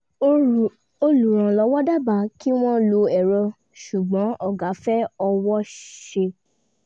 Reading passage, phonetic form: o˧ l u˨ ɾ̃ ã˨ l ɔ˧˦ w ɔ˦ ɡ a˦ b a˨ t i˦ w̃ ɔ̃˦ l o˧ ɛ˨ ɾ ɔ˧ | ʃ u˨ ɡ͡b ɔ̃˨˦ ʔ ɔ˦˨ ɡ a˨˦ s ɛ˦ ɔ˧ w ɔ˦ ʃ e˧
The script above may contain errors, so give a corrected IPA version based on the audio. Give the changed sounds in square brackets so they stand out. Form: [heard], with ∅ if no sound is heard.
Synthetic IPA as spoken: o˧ l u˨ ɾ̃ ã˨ l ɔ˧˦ w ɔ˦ [d] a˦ b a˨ [k] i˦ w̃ ɔ̃˦ l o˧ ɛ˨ ɾ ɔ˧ | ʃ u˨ ɡ͡b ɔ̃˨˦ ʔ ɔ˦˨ ɡ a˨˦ [f] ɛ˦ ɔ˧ w ɔ˦ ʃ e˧